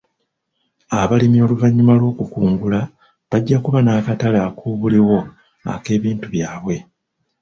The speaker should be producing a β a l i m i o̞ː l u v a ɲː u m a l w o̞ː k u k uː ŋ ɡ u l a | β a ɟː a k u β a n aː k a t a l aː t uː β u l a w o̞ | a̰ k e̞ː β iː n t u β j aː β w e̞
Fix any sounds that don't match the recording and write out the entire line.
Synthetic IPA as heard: a β a l i m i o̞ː l u v a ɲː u m a l w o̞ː k u k uː ŋ ɡ u l a | β a ɟː a k u β a n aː k a t a l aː k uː β u l i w o̞ | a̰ k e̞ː β iː n t u β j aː β w e̞